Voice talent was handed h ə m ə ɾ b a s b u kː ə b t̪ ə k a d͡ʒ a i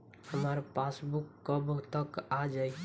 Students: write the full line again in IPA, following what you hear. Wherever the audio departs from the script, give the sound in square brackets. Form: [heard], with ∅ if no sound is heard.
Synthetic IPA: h ə m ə ɾ [p] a s b u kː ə b t̪ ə k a d͡ʒ a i